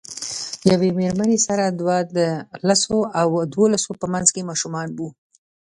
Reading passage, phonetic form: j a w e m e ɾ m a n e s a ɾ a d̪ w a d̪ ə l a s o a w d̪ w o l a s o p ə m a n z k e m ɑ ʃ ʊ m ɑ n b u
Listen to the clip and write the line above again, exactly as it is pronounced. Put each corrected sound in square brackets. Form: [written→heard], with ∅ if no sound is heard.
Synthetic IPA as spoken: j a w e m e ɾ m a n e s a ɾ a d̪ w a d̪ ə l a s o a w d̪ w o l a s o p ə m a n z k e m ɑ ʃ [ʊ→u] m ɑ n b u